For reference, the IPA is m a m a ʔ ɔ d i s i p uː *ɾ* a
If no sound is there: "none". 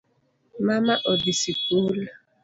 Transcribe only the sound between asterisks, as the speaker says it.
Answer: l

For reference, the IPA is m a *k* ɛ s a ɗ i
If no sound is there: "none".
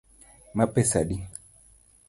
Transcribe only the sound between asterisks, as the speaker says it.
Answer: p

